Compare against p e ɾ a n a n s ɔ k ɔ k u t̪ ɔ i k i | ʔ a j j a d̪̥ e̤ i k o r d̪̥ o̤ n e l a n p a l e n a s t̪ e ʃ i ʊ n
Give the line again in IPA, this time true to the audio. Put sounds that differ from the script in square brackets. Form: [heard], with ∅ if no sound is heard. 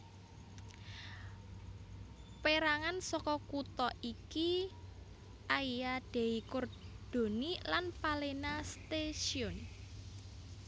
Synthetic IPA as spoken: p e ɾ a [ŋ] a n s ɔ k ɔ k u t̪ ɔ i k i | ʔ a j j a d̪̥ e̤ i k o r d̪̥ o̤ n [i] l a n p a l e n a s t̪ e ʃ i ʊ n